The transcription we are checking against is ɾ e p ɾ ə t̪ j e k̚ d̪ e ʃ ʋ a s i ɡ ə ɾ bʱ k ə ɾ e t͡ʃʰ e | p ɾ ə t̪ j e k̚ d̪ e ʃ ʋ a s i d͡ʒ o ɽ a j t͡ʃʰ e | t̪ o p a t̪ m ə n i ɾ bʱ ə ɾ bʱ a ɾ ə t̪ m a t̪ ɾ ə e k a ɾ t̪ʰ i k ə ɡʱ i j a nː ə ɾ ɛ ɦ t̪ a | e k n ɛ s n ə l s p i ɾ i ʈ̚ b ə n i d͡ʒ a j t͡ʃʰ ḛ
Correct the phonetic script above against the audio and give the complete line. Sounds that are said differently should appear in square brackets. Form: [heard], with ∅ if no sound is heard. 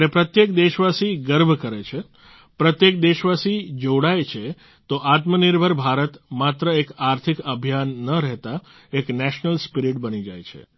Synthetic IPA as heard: ɾ e p ɾ ə t̪ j e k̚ d̪ e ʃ ʋ a s i ɡ ə ɾ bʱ k ə ɾ e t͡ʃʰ e | p ɾ ə t̪ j e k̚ d̪ e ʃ ʋ a s i d͡ʒ o ɽ a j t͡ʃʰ e | t̪ o [ʔ] a t̪ m ə n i ɾ bʱ ə ɾ bʱ a ɾ ə t̪ m a t̪ ɾ ə e k a ɾ t̪ʰ i k ə [bʱ] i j a nː ə ɾ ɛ ɦ t̪ a | e k n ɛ [ʃ] n ə l s p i ɾ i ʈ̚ b ə n i d͡ʒ a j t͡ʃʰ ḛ